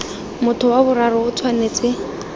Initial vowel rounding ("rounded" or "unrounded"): rounded